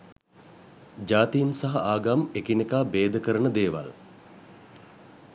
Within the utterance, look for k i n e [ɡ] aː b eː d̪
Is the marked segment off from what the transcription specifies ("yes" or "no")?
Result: yes